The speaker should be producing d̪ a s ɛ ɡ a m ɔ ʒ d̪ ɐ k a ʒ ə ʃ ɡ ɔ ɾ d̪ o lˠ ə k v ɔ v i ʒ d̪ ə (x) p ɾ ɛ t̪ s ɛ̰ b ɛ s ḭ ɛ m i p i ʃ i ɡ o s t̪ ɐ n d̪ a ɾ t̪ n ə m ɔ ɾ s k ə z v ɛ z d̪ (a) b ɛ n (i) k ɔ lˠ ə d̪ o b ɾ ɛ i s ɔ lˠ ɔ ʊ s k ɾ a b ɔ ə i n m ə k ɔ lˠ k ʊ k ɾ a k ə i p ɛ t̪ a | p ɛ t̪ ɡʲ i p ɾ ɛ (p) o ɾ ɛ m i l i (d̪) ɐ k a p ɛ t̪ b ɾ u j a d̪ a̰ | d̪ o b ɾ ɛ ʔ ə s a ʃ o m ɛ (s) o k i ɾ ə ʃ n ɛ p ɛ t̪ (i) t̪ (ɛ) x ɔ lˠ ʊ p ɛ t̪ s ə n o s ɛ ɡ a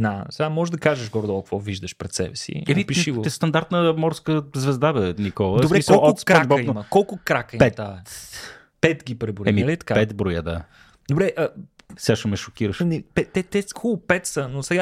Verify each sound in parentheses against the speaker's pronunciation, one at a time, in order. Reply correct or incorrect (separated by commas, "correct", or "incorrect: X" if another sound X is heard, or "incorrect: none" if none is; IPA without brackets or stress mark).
incorrect: ʃ, correct, correct, incorrect: b, incorrect: t̪, incorrect: ʃ, incorrect: ɛ, correct